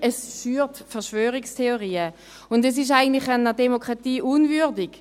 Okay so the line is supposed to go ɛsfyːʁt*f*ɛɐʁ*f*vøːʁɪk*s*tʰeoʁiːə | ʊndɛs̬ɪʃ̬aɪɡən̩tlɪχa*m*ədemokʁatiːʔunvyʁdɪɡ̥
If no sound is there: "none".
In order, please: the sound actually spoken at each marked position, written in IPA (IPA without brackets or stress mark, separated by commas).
f, ʃ, s, n